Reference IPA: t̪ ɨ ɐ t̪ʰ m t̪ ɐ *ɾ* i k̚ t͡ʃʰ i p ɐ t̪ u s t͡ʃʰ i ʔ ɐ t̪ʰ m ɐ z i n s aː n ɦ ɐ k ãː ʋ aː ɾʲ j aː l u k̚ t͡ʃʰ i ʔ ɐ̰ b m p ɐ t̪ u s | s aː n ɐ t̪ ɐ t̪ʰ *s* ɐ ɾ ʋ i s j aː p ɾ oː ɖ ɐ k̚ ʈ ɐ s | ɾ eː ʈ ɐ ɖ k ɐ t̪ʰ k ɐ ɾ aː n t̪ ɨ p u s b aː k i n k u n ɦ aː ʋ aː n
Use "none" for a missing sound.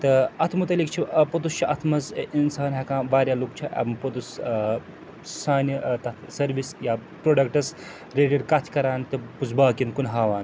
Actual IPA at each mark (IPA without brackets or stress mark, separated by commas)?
l, s